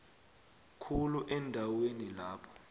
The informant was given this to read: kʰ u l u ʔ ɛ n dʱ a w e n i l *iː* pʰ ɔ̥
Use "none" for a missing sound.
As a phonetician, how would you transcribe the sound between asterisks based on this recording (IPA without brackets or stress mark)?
aː